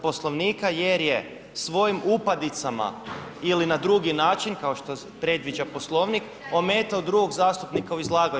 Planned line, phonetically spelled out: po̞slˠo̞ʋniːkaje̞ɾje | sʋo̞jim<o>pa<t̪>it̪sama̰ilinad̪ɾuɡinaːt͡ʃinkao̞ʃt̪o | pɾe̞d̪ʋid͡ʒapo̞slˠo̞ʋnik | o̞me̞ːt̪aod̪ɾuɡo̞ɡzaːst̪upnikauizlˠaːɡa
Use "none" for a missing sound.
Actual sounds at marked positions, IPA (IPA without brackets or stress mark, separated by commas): u, d̪